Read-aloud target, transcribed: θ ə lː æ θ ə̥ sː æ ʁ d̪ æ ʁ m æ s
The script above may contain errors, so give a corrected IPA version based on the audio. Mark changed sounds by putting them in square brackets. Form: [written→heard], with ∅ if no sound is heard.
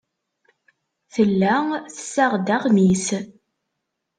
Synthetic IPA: θ ə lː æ θ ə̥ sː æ ʁ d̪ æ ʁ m [æ→i] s